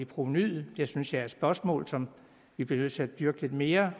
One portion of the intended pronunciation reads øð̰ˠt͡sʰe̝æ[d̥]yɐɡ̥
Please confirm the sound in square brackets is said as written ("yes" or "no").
yes